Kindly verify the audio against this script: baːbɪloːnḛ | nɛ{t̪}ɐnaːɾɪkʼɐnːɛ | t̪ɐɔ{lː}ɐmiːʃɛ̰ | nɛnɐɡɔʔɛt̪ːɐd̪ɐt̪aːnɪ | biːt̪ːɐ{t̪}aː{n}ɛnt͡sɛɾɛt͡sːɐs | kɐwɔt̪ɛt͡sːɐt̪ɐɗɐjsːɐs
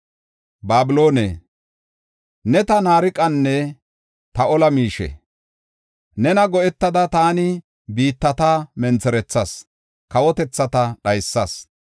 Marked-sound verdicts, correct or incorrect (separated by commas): correct, incorrect, correct, incorrect